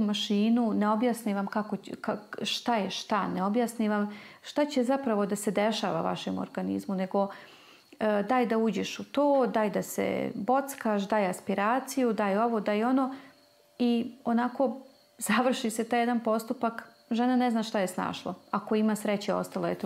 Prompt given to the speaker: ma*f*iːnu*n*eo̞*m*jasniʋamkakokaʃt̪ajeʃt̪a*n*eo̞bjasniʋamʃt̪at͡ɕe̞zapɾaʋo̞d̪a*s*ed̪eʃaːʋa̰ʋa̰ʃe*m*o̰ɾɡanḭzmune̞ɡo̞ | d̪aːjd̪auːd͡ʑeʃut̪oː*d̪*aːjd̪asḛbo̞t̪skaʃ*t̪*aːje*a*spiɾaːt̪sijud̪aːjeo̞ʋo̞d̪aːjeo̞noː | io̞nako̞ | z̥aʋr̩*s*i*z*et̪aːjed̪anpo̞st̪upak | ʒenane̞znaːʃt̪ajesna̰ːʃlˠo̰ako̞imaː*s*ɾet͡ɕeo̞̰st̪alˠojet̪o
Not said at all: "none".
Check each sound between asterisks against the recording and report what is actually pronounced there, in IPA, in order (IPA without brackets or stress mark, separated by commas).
ʃ, n, b, n, s, m, d̪, d̪, a, ʃ, s, s